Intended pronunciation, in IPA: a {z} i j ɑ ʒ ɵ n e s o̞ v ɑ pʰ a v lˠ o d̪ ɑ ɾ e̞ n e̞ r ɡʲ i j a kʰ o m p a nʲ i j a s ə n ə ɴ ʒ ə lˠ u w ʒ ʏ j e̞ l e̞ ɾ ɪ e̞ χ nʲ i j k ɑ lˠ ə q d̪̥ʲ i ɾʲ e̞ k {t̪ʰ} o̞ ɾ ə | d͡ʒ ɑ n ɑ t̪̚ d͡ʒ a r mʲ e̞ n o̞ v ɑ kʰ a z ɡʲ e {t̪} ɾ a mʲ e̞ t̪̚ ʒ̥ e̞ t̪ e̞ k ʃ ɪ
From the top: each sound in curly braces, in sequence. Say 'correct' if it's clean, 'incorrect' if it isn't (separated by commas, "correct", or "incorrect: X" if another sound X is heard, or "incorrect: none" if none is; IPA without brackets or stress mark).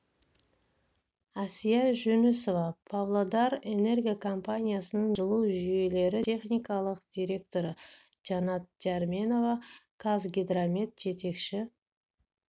incorrect: s, incorrect: t̪, incorrect: d̪